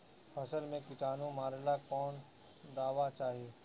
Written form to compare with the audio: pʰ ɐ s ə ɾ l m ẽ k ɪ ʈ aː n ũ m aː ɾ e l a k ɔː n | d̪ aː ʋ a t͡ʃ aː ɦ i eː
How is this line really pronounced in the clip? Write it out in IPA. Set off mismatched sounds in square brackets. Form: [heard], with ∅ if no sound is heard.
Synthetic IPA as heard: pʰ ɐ s ə [∅] l m ẽ k ɪ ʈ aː n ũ m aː ɾ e l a k ɔː n | d̪ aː ʋ a t͡ʃ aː ɦ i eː